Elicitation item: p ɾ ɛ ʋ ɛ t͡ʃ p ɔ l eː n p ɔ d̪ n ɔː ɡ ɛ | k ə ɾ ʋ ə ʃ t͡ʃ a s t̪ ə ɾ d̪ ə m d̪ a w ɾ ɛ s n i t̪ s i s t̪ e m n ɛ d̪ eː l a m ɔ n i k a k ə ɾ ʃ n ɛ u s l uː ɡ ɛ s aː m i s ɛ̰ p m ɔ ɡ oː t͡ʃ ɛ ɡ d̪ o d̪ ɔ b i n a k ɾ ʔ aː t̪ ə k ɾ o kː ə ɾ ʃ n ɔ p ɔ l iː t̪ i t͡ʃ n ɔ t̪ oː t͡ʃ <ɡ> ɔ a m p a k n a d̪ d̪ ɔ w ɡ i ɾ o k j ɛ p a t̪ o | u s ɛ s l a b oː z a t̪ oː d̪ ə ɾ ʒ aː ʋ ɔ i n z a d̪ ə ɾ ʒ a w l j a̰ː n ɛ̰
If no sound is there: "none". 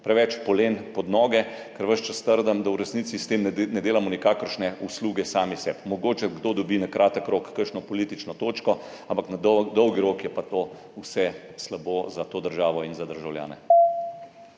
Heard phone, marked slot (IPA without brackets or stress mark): k